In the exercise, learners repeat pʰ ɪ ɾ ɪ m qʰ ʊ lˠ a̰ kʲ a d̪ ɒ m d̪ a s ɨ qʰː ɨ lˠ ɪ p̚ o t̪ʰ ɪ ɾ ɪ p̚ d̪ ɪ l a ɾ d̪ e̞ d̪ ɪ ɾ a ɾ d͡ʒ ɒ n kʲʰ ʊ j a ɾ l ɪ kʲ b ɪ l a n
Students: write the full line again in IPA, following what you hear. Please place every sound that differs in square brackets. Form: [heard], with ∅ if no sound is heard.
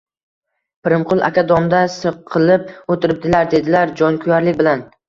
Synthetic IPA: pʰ ɪ ɾ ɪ m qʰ ʊ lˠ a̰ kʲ a d̪ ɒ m d̪ a s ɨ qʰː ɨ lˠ ɪ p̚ o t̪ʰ ɪ ɾ ɪ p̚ d̪ ɪ l a ɾ d̪ e̞ d̪ ɪ [l] a ɾ d͡ʒ ɒ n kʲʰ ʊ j a ɾ l ɪ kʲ b ɪ l a n